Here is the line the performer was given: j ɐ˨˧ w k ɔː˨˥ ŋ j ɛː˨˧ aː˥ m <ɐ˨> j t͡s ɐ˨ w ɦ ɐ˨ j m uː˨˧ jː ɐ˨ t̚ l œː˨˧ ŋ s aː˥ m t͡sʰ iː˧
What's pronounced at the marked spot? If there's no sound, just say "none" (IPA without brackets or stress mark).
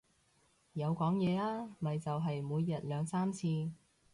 ɐ˨